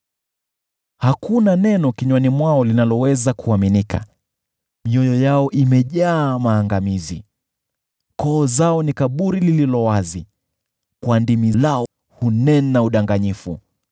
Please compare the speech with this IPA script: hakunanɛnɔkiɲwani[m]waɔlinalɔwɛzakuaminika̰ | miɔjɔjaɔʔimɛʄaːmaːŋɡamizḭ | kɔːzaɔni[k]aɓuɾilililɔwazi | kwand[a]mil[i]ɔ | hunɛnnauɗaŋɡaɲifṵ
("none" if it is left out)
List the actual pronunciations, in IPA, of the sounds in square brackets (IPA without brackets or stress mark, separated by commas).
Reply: m, k, i, a